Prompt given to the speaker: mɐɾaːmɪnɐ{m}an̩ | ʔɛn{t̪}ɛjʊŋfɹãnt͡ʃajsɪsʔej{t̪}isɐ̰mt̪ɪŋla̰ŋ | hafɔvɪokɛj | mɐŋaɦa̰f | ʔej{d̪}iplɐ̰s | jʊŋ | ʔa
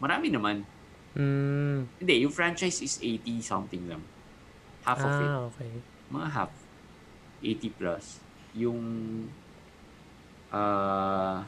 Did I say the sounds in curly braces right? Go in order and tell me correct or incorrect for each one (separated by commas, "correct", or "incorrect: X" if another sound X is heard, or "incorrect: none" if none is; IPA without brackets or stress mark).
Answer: correct, incorrect: d̪, correct, incorrect: t̪